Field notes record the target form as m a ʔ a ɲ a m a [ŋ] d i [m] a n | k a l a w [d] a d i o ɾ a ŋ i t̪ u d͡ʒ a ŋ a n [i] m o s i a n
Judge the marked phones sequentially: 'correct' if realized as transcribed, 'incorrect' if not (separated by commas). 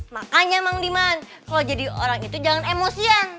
correct, correct, incorrect, incorrect